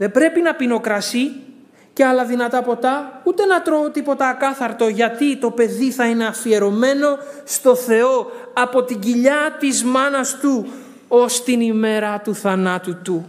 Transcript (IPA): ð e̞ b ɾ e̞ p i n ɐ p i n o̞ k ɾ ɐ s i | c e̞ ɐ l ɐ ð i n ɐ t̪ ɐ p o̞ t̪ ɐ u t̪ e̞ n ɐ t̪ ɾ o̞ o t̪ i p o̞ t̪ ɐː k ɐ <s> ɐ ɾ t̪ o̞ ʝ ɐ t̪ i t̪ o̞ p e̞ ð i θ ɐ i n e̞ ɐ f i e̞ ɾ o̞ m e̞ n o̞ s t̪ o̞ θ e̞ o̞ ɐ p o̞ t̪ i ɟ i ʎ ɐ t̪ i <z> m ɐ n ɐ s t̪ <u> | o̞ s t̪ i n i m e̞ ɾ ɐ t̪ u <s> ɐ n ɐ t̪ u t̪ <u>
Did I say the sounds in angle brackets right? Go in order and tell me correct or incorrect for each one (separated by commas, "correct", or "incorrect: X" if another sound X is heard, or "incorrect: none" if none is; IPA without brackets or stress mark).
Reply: incorrect: θ, correct, correct, incorrect: θ, correct